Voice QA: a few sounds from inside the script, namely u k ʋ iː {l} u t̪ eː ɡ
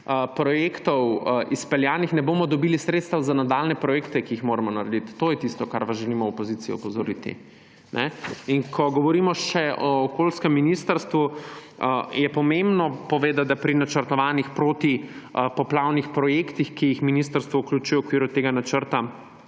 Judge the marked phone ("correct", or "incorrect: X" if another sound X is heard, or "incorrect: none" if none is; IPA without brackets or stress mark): incorrect: ɾ